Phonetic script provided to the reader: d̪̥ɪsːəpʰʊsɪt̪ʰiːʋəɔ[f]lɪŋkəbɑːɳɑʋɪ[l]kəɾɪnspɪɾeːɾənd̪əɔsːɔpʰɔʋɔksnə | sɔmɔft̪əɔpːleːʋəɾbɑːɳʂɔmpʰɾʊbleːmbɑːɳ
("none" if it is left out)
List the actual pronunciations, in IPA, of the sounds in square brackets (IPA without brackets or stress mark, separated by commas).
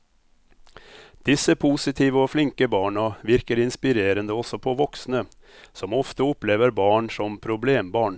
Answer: f, ɾ